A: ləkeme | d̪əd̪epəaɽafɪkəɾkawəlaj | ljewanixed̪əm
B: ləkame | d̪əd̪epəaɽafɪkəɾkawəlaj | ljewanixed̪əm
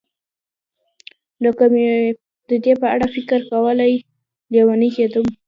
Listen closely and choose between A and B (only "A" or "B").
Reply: B